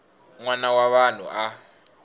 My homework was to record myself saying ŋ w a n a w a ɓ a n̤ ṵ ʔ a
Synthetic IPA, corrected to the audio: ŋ w a n a w a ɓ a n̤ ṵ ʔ a

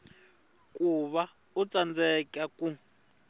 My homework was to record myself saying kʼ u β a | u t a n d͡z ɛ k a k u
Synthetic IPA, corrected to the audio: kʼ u β a | u t͡s a n d͡z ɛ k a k u

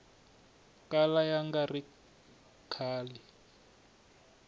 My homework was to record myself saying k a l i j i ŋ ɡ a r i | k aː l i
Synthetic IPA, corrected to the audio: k a l a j a ŋ ɡ a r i | kʰ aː l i

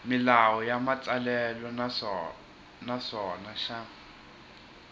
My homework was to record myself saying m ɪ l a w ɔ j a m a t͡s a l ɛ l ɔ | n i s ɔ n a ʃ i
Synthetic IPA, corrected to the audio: m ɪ l a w ɔ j a m a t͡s a l ɛ l ɔ | n a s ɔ n a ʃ a

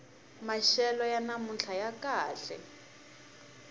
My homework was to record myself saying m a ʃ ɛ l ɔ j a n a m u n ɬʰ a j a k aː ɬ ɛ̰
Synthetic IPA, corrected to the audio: m a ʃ ɛ l ɔ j a n a m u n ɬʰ a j a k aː ɬ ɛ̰

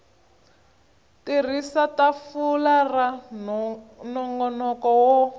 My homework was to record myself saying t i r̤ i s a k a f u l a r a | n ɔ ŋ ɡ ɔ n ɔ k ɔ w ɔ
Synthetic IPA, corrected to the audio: t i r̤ i s a t a f u l a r a | n ɔ ŋ ɡ ɔ n ɔ k ɔ w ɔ

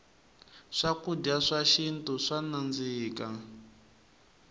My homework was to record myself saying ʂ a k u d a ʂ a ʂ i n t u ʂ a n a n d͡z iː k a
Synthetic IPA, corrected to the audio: ʂ a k u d a ʂ a ʃ i n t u ʂ a n a n d͡z iː k a

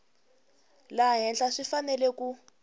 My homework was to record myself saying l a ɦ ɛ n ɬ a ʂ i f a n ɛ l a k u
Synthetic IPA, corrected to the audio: l a ɦ ɛ n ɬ a ʂ i f a n ɛ l ɛ k u

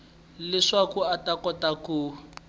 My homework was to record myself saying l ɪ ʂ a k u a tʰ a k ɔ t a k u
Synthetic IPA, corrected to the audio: l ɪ ʂ a k u a t a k ɔ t a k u

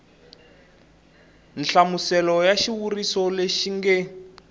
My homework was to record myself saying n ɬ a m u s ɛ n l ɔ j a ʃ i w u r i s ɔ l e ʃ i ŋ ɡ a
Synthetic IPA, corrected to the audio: n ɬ a m u s ɛ l ɔ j a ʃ i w u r i s ɔ l e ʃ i ŋ ɡ ɛ

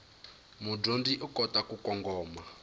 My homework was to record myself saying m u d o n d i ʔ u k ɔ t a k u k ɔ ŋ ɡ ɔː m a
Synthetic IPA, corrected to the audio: m u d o n d i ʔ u k ɔ t a k u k ɔ ŋ ɡ ɔː m a

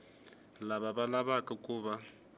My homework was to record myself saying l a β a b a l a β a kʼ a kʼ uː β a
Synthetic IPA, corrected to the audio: l a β a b a l a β a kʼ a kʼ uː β a

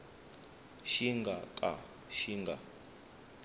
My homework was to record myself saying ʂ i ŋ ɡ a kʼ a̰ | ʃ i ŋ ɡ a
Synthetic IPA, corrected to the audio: ʃ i ŋ ɡ a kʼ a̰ | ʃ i ŋ ɡ a

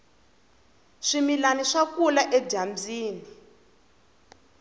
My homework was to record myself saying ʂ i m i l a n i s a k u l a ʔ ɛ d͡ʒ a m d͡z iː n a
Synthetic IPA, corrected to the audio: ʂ i m i l a n i ʂ a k u l a ʔ ɛ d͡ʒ a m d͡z iː n i

